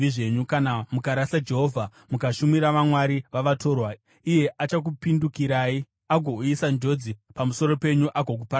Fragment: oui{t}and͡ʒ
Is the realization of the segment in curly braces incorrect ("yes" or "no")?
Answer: yes